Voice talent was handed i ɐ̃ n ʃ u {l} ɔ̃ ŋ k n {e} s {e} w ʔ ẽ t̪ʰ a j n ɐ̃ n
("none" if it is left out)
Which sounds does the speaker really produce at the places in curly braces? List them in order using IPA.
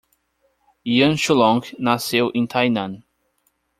l, a, e

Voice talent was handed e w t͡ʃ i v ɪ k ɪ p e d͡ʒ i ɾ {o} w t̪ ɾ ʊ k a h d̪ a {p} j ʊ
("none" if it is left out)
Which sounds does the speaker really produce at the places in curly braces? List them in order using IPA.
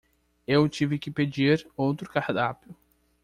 o, p

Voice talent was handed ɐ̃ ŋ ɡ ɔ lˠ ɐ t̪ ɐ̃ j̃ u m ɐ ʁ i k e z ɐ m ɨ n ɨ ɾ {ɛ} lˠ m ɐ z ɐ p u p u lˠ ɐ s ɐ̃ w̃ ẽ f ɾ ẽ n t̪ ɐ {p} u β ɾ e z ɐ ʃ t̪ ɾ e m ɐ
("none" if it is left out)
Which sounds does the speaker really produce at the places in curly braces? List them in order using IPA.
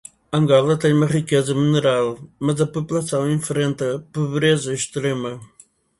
a, p

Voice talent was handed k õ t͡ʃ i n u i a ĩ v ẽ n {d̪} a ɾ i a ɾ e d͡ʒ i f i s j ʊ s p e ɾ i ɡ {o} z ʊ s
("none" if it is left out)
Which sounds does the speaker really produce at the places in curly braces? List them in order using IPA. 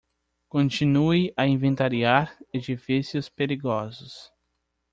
t̪, ɔ

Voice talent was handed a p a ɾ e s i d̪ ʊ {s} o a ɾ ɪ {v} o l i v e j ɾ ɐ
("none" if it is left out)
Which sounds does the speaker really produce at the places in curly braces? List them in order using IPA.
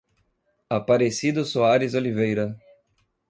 s, z

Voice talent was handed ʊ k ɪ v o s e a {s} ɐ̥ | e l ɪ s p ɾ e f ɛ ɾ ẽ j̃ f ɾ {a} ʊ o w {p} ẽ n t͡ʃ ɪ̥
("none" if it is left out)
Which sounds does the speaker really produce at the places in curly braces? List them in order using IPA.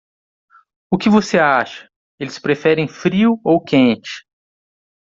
ʃ, i, k

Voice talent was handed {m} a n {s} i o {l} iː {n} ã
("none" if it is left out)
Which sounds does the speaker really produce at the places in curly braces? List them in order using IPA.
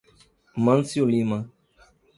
m, s, l, m

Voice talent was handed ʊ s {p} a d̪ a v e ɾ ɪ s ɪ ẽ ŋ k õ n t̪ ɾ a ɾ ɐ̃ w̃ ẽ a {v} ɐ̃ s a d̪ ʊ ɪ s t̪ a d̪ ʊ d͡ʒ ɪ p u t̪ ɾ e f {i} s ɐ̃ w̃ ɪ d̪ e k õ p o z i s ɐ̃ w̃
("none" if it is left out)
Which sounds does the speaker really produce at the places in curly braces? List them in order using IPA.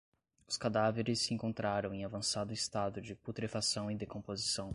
k, v, a

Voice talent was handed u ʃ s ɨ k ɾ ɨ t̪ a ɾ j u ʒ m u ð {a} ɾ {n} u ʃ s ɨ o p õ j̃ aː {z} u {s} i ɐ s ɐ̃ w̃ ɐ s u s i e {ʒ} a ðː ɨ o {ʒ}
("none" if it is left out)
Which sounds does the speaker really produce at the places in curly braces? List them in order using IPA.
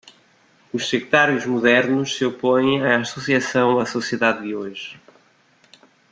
ɛ, n, s, s, ð, ʒ

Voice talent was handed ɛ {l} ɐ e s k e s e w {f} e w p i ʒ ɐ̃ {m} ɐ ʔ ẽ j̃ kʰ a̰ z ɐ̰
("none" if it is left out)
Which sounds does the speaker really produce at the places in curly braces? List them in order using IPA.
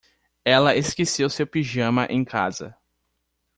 l, s, m

